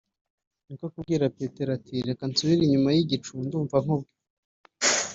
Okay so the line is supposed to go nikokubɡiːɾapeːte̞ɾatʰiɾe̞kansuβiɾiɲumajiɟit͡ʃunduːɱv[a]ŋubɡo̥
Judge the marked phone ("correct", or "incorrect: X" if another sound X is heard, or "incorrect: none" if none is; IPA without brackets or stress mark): correct